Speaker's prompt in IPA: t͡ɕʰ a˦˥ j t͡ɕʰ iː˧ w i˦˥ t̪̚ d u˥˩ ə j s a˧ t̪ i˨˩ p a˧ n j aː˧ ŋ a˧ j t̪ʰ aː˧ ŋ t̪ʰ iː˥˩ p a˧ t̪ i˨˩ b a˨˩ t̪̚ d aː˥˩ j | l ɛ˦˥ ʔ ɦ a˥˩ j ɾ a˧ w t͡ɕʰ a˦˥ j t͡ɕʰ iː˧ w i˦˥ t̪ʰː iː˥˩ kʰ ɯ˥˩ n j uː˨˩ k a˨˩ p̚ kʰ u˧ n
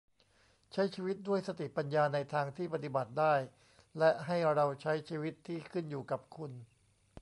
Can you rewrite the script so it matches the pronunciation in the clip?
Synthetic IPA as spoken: t͡ɕʰ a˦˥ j t͡ɕʰ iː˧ w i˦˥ t̪̚ d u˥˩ ə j s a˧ t̪ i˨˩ p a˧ n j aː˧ n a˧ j t̪ʰ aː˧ ŋ t̪ʰ iː˥˩ p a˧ t̪ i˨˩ b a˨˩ t̪̚ d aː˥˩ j | l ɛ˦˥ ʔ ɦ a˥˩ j ɾ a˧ w t͡ɕʰ a˦˥ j t͡ɕʰ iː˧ w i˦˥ t̪ʰː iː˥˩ kʰ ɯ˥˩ n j uː˨˩ k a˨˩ p̚ kʰ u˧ n